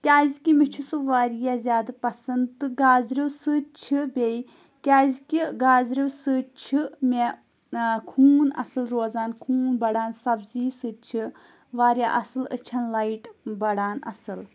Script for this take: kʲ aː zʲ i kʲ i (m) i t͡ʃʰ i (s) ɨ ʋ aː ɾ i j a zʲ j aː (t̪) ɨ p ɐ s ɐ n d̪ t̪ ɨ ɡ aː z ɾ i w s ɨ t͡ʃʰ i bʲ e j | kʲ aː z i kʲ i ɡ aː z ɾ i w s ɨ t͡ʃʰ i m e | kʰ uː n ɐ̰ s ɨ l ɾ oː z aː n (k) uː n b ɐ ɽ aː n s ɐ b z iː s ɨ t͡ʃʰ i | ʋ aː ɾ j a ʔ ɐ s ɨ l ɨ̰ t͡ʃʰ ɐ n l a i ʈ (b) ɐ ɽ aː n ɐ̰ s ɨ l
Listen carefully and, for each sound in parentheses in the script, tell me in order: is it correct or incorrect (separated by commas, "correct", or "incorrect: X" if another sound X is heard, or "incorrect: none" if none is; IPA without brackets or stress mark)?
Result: correct, correct, incorrect: d̪, incorrect: kʰ, correct